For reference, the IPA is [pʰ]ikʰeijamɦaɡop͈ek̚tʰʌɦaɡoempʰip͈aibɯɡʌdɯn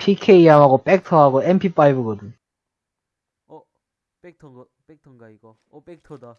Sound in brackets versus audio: correct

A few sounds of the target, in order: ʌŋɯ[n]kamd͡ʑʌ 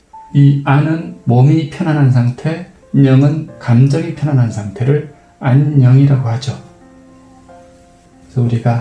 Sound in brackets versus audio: correct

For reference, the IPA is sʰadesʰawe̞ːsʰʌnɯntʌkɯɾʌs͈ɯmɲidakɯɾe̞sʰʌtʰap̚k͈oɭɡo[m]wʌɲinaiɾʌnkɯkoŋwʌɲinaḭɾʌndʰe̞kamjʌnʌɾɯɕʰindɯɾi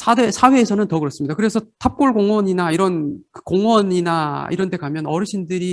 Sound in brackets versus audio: incorrect: ŋ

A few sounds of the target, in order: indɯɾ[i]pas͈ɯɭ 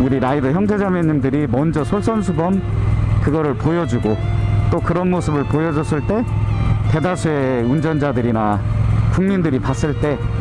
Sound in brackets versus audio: correct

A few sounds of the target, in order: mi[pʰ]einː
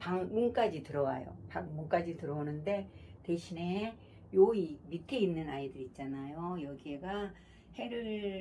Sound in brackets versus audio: incorrect: tʰ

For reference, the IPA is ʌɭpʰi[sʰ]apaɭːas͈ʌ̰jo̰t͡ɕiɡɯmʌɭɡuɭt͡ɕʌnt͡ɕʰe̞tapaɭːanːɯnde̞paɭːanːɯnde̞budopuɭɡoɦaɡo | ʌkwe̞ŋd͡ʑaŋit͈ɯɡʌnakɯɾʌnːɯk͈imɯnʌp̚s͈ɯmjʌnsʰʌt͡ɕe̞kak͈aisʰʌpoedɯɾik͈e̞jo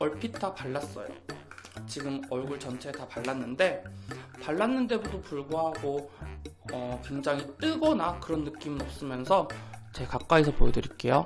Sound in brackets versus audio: incorrect: tʰ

